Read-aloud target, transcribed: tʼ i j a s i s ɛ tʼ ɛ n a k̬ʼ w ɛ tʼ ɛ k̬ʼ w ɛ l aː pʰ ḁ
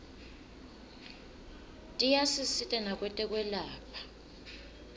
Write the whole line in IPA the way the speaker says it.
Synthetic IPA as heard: tʼ i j a s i s i tʼ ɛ n a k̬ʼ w ɛ tʼ ɛ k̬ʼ w ɛ l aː pʰ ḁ